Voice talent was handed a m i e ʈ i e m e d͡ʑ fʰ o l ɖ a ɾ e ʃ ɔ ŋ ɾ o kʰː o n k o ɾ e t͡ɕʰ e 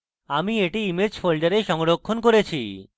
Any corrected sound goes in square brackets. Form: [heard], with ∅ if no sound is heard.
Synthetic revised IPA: a m i e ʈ i [i] m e d͡ʑ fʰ o l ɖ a ɾ e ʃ ɔ ŋ ɾ o kʰː o n k o ɾ e t͡ɕʰ [i]